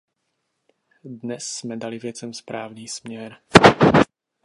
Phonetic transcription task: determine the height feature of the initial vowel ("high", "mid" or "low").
mid